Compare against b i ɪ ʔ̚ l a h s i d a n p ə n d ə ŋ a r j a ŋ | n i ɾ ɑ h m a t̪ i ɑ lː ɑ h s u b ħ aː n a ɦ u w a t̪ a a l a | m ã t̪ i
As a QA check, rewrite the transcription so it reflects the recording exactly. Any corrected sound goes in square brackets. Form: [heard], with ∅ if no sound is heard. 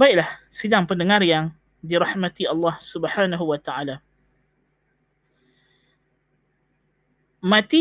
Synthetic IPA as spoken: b [a] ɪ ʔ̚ l a h s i d a [ŋ] p ə n d ə ŋ a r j a ŋ | [d] i ɾ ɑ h m a t̪ i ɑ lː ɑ h s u b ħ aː n a ɦ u w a t̪ a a l a | m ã t̪ i